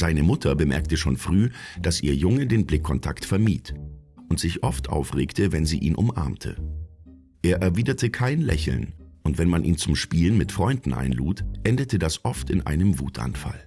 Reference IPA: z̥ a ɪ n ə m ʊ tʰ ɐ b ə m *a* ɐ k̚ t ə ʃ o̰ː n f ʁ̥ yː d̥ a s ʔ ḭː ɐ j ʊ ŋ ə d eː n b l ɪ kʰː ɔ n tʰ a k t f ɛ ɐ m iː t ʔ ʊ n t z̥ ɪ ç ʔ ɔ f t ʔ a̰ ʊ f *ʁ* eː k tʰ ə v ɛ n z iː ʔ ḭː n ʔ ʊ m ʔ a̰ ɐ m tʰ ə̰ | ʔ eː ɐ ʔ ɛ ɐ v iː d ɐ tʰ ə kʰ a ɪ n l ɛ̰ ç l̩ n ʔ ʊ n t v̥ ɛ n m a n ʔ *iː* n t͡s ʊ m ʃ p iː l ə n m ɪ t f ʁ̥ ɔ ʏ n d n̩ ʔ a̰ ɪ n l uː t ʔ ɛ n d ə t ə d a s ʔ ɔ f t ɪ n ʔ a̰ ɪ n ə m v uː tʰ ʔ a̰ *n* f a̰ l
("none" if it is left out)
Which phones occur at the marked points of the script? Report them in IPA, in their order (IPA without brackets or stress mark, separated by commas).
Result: ɛ, ʁ, iː, n